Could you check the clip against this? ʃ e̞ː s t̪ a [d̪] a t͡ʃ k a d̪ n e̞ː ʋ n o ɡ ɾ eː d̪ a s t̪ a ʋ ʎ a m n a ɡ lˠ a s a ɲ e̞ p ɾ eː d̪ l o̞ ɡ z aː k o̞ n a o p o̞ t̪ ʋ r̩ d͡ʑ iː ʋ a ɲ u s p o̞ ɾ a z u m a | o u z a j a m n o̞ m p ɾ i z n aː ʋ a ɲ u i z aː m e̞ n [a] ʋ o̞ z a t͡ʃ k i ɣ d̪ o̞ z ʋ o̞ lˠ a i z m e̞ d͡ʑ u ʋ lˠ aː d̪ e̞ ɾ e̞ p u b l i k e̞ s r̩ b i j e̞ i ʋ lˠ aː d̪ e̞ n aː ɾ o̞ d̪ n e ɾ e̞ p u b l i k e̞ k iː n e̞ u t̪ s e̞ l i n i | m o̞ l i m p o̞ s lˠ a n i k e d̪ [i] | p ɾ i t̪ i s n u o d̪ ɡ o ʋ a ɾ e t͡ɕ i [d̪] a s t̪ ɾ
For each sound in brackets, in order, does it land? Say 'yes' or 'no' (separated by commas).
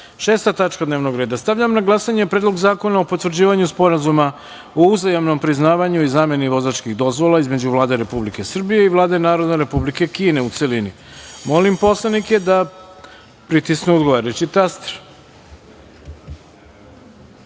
no, no, no, no